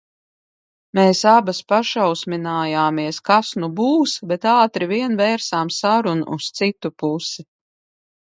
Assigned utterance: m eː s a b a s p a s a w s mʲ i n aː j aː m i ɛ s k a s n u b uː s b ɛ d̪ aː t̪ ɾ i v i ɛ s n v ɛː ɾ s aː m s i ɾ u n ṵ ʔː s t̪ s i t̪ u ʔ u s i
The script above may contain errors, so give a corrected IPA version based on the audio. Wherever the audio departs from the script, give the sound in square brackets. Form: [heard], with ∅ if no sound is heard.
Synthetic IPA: m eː s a b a s p a [ʃ] a w s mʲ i n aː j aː m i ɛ s k a s n u b uː s b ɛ [t̪] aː t̪ ɾ i v i ɛ [∅] n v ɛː ɾ s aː m s [a] ɾ u n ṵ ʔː s t̪ s i t̪ u [p] u s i